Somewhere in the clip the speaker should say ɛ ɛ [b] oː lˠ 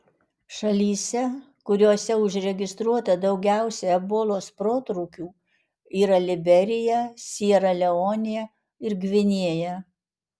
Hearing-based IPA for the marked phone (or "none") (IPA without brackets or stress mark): b